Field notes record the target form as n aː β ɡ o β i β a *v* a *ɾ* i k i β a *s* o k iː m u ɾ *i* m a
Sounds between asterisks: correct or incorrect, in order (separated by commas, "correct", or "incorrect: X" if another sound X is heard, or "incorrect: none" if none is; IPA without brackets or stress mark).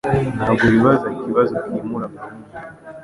incorrect: z, incorrect: none, incorrect: z, incorrect: a